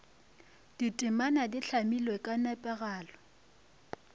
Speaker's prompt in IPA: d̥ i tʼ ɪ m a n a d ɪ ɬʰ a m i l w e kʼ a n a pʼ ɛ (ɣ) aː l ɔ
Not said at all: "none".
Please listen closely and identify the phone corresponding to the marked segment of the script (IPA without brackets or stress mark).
ɣ